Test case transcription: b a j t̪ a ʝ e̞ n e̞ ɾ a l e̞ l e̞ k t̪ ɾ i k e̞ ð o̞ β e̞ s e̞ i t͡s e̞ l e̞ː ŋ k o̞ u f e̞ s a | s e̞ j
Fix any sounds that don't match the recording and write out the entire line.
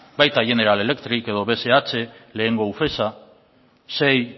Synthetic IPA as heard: b a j t̪ a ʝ e̞ n e̞ ɾ a l e̞ l e̞ k t̪ ɾ i k e̞ ð o̞ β e̞ s e̞ a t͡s e̞ l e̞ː ŋ ɡ o̞ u f e̞ s a | s e̞ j